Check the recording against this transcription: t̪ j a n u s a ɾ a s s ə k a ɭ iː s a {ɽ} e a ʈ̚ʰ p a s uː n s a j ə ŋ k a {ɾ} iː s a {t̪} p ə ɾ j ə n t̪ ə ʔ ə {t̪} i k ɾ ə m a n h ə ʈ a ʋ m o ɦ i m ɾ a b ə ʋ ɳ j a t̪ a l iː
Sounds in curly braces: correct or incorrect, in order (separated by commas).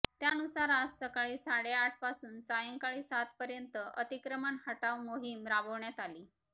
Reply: correct, incorrect, correct, correct